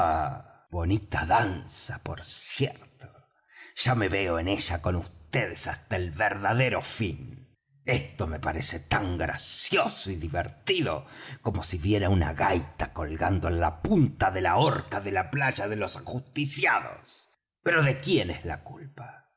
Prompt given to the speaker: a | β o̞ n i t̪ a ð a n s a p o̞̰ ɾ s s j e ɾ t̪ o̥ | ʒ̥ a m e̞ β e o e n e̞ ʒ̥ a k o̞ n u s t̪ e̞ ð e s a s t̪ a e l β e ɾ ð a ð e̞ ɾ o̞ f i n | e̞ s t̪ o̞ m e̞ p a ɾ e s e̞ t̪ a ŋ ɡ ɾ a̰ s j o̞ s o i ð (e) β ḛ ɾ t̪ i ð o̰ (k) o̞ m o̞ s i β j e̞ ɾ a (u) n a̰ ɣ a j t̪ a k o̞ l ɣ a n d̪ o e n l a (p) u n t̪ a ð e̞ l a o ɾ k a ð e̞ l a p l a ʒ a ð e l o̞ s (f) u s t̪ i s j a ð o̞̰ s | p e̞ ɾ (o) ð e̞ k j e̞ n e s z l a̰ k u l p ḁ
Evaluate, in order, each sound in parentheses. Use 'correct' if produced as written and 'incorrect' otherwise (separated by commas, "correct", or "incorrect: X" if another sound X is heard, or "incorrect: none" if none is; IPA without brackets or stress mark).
incorrect: i, correct, correct, correct, incorrect: x, correct